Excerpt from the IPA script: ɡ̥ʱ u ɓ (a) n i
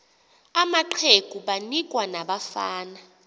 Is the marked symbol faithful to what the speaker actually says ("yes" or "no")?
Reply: yes